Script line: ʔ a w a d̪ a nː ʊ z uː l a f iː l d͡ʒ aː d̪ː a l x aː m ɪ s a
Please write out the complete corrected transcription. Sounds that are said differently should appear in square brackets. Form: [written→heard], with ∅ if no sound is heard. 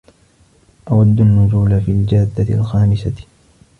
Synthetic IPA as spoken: ʔ a w a [d̪→d̪ː] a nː ʊ z uː l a f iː l d͡ʒ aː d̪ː a l x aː m ɪ s a